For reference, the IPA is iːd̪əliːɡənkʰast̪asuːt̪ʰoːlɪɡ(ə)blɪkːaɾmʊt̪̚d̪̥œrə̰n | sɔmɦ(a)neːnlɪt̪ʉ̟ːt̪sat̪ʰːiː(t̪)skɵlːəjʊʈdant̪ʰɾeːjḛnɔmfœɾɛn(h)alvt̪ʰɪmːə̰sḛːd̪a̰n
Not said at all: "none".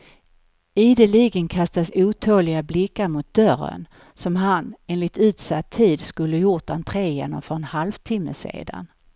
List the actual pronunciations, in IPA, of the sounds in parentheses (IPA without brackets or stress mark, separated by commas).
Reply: a, a, d̪, h